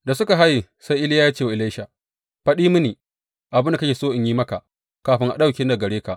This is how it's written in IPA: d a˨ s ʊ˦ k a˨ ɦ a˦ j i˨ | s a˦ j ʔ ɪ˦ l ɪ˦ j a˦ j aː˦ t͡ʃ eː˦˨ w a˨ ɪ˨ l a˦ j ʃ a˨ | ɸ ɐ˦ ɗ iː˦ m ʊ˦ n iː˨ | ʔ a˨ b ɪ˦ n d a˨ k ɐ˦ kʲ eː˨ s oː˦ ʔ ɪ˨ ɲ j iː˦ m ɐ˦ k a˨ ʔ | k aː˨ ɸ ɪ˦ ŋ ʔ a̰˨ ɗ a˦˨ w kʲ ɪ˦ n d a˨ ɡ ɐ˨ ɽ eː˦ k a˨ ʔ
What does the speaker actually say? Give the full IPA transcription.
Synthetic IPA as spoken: d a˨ s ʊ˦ k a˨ ɦ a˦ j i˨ | s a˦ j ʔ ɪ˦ l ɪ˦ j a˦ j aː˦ t͡ʃ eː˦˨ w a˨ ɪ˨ l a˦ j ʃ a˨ | ɸ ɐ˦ ɗ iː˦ m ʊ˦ n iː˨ | ʔ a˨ b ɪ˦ n d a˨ k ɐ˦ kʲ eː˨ s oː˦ ʔ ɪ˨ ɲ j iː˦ m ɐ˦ k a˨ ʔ | k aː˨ ɸ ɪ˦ ŋ ʔ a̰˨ ɗ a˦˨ w kʲ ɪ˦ n d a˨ ɡ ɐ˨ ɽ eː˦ k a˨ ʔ